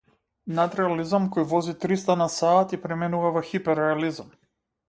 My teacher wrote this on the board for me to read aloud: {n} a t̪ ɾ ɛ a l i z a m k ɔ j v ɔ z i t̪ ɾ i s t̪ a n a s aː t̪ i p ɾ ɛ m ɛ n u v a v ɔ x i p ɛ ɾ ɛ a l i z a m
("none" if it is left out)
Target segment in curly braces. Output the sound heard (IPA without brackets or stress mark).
n